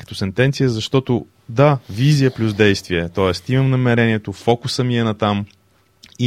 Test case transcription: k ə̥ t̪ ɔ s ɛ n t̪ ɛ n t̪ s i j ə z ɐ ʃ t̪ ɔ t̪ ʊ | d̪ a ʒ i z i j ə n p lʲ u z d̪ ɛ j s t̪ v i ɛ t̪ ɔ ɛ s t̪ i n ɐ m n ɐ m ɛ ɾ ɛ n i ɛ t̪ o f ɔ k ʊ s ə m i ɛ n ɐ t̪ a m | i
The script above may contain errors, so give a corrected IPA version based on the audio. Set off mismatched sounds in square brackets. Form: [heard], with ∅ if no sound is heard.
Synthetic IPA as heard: k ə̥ t̪ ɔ s ɛ n t̪ ɛ n t̪ s i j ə z ɐ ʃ t̪ ɔ t̪ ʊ | d̪ a [v] i z i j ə [∅] p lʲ u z d̪ ɛ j s t̪ v i ɛ t̪ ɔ ɛ s t̪ i [m] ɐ m n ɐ m ɛ ɾ ɛ n i ɛ t̪ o f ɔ k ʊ s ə m i ɛ n ɐ t̪ a m | i